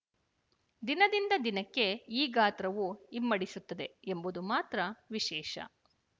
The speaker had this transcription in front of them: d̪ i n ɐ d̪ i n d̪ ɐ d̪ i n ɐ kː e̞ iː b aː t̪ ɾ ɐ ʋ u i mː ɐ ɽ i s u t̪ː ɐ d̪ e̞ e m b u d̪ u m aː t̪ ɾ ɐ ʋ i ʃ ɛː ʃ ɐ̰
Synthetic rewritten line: d̪ i n ɐ d̪ i n d̪ ɐ d̪ i n ɐ kː e̞ iː ɡ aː t̪ ɾ ɐ ʋ u i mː ɐ ɽ i s u t̪ː ɐ d̪ e̞ e m b u d̪ u m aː t̪ ɾ ɐ ʋ i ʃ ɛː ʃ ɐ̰